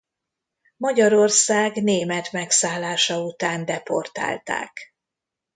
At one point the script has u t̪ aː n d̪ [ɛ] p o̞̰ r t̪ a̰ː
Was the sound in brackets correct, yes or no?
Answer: yes